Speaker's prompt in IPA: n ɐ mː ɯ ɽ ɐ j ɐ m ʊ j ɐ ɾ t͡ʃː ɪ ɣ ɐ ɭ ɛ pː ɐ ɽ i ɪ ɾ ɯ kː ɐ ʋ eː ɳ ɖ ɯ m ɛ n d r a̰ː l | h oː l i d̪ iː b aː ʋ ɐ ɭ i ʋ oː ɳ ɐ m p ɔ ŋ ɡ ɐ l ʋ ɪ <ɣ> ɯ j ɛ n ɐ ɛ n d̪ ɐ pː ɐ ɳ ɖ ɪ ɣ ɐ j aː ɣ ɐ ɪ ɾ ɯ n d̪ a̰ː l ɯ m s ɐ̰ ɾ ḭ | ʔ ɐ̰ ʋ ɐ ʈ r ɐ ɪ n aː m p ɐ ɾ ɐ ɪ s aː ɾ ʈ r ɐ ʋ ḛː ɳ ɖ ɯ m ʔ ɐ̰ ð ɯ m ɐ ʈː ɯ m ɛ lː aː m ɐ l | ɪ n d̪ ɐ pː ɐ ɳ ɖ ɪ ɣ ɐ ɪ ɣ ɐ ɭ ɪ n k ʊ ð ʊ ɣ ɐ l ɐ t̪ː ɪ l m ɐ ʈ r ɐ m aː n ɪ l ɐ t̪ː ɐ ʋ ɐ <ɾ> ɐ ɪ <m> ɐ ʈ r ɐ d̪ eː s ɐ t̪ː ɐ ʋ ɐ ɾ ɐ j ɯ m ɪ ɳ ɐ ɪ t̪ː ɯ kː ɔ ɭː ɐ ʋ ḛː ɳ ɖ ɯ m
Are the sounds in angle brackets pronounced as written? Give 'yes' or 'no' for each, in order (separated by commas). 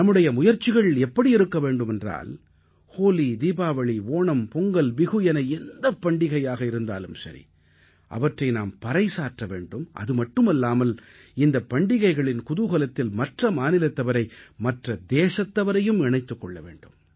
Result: yes, yes, yes